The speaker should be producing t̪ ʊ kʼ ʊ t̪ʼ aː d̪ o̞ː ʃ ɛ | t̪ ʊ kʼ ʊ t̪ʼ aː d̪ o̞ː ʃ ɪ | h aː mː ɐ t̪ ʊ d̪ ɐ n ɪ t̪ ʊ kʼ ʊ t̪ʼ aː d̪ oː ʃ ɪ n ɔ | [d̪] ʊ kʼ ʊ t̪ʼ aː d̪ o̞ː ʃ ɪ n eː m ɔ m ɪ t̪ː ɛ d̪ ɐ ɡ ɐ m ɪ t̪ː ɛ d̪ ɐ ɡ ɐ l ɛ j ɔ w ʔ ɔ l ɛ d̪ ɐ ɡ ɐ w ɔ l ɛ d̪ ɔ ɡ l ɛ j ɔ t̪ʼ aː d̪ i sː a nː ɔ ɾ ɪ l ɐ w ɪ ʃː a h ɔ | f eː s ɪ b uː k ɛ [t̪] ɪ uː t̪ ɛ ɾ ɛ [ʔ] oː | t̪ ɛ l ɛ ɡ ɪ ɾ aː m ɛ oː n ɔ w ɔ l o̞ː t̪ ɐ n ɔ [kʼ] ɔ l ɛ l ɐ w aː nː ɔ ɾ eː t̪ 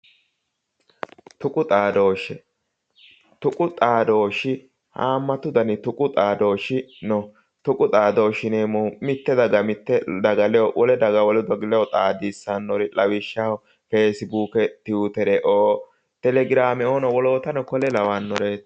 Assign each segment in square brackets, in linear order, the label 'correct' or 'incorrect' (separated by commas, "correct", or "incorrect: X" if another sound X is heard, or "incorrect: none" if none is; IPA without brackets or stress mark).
incorrect: t̪, correct, correct, incorrect: k